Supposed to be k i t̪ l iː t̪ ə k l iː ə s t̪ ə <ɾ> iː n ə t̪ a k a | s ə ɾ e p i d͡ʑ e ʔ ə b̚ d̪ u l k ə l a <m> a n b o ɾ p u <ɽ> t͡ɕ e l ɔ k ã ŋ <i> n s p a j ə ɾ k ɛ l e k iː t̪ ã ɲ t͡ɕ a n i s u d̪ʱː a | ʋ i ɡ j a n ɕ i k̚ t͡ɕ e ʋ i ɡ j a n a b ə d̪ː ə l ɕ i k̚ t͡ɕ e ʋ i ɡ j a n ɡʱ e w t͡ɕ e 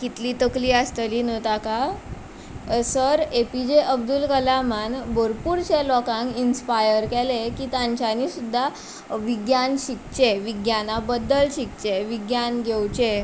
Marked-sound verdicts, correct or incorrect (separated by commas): incorrect, correct, incorrect, correct